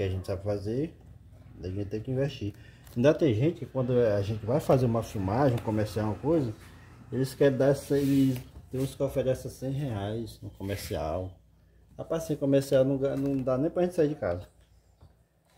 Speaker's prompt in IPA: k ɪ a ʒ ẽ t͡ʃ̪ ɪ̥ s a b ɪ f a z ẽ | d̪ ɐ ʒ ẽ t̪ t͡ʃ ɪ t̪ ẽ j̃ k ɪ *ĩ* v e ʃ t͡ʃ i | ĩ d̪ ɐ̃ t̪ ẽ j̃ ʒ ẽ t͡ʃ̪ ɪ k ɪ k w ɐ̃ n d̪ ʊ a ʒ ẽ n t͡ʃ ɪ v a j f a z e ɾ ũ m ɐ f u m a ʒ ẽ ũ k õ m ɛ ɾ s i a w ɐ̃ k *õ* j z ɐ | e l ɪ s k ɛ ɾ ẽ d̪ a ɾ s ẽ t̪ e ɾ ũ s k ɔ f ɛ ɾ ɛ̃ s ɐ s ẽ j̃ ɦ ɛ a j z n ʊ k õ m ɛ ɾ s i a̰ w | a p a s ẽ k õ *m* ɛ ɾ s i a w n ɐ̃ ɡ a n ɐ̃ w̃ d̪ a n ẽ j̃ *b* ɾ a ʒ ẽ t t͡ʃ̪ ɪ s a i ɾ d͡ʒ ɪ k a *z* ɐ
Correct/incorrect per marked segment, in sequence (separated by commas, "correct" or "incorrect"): correct, incorrect, correct, incorrect, correct